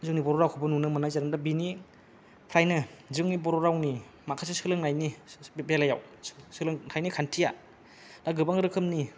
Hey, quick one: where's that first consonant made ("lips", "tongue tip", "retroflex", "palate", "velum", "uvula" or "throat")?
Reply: tongue tip